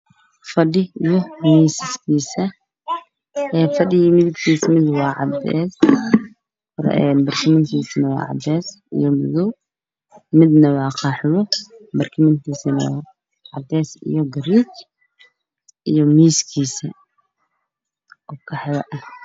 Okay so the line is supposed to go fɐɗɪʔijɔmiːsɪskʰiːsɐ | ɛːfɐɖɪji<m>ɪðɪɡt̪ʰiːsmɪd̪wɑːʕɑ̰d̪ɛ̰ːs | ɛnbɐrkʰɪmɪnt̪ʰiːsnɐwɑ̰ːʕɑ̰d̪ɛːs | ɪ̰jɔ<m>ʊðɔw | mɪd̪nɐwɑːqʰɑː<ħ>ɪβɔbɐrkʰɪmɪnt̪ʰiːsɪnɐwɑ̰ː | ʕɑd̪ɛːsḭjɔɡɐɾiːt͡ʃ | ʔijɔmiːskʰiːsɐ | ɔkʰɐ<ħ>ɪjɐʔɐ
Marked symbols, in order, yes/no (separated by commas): yes, yes, yes, yes